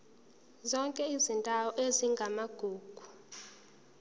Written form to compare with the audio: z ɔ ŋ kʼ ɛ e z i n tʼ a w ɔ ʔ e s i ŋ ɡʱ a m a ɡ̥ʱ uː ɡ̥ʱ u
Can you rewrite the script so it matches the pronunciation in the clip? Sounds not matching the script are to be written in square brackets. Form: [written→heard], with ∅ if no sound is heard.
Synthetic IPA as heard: z ɔ ŋ kʼ ɛ [e→i] z i n tʼ a w ɔ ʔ e [s→z] i ŋ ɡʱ a m a ɡ̥ʱ uː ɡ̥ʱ u

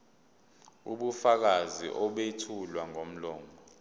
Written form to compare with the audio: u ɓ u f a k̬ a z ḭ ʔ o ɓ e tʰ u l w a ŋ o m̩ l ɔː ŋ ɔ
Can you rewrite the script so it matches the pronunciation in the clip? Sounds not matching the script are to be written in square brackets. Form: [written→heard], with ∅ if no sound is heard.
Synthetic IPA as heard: u ɓ u f a k̬ a z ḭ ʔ [o→ɔ] ɓ e tʰ u l w a ŋ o m̩ l ɔː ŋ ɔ

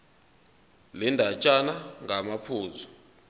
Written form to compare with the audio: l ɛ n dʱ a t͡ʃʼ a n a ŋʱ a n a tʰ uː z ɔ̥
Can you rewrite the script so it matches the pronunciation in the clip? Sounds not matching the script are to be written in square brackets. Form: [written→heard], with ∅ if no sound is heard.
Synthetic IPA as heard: l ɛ n dʱ a t͡ʃʼ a n a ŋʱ a [n→m] a [tʰ→pʰ] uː z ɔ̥

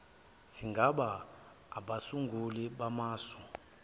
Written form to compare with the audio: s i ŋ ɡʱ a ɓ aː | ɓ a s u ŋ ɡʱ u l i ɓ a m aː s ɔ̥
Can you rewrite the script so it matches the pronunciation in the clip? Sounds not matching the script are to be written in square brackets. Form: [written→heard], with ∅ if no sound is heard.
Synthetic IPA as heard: s i ŋ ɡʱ a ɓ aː | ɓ a s u ŋ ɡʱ u l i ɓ a m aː s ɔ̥

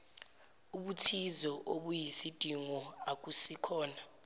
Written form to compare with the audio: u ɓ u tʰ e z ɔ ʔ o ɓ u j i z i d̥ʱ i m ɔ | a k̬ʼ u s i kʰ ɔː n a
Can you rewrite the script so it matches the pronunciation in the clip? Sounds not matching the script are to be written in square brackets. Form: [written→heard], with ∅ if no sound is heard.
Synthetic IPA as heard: u ɓ u tʰ [e→i] z ɔ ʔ o ɓ u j i [z→s] i d̥ʱ i [m→ŋ] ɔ | a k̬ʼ u s i kʰ ɔː n a

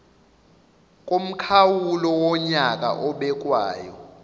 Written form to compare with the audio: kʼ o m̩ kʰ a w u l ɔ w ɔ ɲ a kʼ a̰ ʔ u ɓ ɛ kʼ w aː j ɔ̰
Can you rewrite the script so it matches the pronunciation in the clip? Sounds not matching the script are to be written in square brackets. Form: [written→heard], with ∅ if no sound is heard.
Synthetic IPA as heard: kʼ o m̩ kʰ a w u l ɔ w ɔ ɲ a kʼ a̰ ʔ [u→ɔ] ɓ ɛ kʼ w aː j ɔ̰

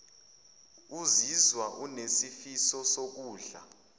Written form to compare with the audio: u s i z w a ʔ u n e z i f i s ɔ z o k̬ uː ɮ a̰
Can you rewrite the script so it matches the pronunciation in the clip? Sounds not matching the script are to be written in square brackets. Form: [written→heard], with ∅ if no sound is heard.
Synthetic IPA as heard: u [s→z] i z w a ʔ u n e [z→s] i f i s ɔ [z→s] o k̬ uː ɮ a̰

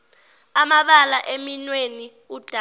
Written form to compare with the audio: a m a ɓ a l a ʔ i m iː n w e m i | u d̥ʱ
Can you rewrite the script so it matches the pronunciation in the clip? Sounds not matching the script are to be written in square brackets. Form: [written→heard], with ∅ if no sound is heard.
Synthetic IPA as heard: a m a ɓ a l a ʔ [i→e] m [iː→i] n w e [m→n] i | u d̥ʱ

